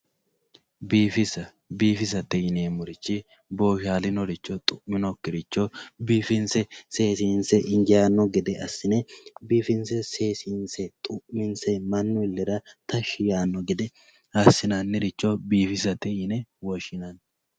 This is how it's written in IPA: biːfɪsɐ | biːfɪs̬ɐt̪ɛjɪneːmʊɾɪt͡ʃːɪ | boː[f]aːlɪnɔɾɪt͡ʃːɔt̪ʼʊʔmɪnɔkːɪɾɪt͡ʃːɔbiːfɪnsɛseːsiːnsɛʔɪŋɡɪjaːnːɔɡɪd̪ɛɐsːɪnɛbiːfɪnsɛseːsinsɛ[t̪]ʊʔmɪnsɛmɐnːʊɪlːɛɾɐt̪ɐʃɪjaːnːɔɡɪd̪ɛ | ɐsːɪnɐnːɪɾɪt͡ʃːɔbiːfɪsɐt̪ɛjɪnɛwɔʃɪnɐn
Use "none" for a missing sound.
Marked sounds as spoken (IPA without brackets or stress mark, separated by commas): ʃ, t̪ʼ